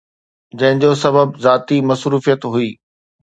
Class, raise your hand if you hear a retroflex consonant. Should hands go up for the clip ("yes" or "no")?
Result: no